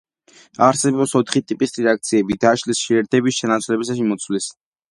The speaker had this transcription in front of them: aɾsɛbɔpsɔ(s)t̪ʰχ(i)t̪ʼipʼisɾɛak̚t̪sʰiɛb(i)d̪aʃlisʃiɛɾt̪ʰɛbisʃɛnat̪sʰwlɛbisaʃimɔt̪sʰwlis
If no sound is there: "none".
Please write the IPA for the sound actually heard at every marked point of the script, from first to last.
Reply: none, i, i

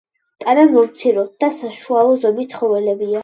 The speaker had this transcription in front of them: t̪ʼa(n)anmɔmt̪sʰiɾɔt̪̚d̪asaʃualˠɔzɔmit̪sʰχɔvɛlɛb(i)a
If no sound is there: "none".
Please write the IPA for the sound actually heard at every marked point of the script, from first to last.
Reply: n, i

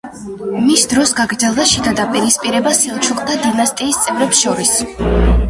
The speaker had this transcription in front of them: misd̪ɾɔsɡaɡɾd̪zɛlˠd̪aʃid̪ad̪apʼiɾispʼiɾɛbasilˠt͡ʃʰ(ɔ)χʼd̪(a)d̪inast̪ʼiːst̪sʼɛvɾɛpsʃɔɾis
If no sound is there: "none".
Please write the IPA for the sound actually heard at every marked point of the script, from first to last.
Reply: u, a

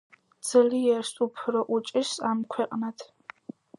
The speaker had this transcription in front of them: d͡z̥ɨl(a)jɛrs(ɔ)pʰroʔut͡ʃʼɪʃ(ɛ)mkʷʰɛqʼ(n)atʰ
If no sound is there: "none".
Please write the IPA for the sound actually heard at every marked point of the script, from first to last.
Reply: i, u, a, n

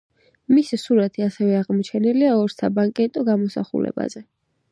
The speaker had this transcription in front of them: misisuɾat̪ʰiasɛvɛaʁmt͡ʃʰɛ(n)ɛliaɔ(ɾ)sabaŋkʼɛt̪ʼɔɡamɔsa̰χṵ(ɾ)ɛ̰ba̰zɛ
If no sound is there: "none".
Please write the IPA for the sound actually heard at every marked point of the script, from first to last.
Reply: n, ɾ, l

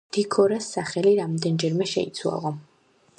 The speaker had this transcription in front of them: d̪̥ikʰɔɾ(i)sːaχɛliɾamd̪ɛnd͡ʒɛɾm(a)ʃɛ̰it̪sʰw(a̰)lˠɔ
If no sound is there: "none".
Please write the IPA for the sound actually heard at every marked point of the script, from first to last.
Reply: a, ɛ, a̰

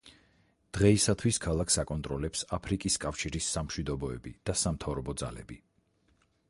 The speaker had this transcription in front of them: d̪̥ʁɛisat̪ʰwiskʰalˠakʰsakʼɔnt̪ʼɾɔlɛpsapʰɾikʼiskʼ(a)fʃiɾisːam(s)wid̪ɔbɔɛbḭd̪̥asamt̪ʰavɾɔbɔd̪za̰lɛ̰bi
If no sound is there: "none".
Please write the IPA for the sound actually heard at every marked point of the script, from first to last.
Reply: a, ʃ

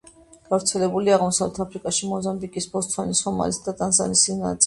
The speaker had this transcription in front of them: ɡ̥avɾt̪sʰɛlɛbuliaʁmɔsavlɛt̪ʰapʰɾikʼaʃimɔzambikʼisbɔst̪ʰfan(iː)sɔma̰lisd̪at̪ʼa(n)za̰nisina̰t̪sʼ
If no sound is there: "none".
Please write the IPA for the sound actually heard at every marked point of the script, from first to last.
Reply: i, n

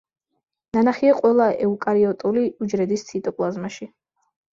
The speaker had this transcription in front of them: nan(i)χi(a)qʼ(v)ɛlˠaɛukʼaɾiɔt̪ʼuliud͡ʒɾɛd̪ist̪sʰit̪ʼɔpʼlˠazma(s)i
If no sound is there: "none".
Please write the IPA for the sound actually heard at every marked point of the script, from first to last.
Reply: a, a, w, ʃ

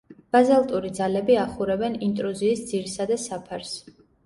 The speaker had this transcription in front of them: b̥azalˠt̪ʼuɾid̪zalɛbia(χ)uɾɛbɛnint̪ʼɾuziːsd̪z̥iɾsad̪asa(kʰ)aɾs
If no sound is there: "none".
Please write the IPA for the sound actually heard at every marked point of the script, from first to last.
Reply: χ, pʰ

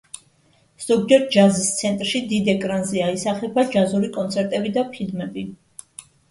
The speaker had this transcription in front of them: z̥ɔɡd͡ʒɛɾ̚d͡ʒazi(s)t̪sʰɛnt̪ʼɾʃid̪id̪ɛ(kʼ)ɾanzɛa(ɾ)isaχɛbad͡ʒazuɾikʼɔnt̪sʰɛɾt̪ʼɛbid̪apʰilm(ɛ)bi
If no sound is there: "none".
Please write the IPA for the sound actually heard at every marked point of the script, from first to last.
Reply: s, kʼ, none, ɛ

